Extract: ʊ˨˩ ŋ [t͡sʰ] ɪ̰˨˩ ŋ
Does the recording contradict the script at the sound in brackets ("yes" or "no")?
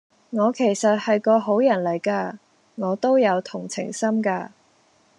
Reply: no